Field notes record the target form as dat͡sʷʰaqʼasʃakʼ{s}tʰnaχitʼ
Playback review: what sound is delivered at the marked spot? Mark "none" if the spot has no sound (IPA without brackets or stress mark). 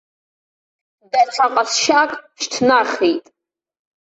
ʃ